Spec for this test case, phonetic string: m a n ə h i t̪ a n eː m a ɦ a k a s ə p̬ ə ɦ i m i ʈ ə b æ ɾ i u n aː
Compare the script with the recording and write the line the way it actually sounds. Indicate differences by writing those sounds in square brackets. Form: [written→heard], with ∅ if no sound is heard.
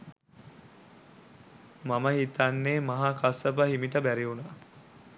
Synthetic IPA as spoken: m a [n→m] ə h i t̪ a [n→nː] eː m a ɦ a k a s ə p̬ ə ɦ i m i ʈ ə b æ ɾ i u n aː